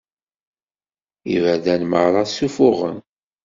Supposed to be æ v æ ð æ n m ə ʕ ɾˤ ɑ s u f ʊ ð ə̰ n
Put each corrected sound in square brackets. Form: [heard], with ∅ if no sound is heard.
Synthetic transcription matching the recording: [i] v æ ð æ n m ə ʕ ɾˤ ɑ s u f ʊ [ʁ] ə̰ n